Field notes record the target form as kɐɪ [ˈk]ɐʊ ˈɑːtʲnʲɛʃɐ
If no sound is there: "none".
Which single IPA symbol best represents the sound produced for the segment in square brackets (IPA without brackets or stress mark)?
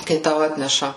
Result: t